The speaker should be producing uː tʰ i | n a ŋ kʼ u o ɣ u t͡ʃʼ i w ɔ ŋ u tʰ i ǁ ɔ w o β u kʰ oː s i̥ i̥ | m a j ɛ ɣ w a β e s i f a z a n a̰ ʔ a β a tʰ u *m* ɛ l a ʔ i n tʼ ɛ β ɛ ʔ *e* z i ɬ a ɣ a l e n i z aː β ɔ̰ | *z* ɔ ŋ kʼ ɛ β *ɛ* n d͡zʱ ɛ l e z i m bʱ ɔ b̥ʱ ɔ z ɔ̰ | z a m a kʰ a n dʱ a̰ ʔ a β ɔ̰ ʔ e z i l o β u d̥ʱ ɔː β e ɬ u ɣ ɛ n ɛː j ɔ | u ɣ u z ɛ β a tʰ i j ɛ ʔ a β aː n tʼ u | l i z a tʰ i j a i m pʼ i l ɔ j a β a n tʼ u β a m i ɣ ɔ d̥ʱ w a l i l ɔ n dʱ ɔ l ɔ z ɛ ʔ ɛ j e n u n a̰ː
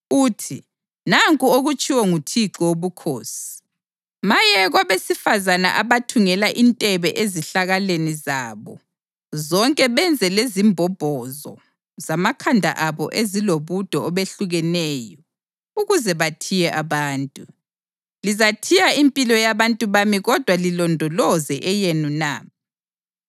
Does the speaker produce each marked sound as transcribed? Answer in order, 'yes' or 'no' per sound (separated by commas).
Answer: no, yes, yes, yes